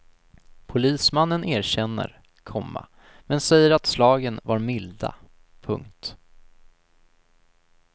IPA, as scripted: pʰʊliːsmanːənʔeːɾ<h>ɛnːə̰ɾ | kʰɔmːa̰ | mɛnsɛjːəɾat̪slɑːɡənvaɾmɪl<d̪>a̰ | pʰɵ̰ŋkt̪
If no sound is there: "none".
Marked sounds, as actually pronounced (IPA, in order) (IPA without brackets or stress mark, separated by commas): ɕ, d̪